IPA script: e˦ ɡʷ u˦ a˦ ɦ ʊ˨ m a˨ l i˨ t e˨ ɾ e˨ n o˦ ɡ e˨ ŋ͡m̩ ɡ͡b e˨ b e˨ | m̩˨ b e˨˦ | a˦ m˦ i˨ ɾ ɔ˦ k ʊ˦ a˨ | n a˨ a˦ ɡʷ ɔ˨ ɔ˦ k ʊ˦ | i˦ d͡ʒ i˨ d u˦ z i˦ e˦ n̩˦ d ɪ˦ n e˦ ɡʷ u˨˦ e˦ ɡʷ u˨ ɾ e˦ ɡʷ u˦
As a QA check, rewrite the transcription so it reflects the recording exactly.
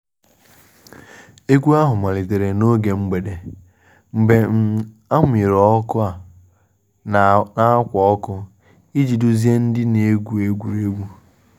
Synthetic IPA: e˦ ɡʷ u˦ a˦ ɦ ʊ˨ m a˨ l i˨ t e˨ ɾ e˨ n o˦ ɡ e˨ ŋ͡m̩ ɡ͡b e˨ d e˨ | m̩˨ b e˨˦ | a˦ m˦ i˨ ɾ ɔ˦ k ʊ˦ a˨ | n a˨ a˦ kʷ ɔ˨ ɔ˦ k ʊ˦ | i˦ d͡ʒ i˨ d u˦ z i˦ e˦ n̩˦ d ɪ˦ n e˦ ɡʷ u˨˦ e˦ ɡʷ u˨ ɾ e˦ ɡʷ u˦